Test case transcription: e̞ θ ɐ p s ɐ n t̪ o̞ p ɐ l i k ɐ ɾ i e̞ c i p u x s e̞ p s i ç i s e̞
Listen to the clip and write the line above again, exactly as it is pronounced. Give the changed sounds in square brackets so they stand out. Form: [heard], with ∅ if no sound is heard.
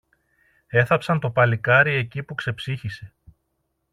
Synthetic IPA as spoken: e̞ θ ɐ p s ɐ n t̪ o̞ p ɐ l i k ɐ ɾ i e̞ c i p u [k] s e̞ p s i ç i s e̞